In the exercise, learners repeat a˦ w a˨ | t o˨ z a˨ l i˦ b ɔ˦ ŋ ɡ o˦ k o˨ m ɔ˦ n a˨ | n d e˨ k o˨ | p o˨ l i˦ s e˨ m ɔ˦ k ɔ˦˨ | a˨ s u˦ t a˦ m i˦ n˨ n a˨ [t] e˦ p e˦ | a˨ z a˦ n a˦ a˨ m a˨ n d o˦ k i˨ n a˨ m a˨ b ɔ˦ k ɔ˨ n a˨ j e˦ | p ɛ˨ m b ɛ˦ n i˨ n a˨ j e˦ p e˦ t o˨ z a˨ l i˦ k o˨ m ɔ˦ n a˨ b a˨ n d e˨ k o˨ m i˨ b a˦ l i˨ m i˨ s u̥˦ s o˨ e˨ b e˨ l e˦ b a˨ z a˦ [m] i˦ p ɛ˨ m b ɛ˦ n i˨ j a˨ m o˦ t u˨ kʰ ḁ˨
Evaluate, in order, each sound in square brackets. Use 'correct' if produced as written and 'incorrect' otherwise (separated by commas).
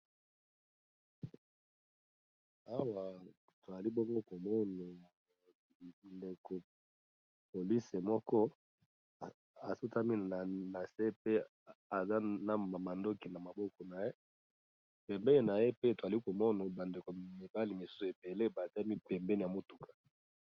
incorrect, correct